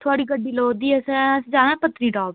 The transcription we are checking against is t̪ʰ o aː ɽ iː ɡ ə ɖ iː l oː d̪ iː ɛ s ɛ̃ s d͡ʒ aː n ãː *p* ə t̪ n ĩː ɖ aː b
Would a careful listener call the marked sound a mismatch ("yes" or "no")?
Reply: no